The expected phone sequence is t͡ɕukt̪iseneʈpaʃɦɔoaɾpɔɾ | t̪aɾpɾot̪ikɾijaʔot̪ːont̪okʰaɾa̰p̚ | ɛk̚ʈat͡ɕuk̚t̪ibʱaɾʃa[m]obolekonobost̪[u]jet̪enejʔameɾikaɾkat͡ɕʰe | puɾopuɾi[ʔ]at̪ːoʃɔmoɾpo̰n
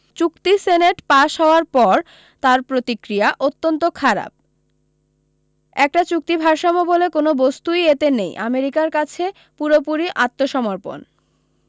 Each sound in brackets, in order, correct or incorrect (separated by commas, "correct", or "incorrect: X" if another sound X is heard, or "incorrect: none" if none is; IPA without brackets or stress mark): correct, correct, correct